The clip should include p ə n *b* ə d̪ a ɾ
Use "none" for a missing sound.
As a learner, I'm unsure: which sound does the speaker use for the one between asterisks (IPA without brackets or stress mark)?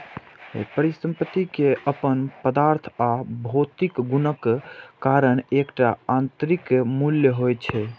p